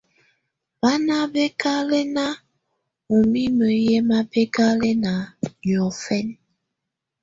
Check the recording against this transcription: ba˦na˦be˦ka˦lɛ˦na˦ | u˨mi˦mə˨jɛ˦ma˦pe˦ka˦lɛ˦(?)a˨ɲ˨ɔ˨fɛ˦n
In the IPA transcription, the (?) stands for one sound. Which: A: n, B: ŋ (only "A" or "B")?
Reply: A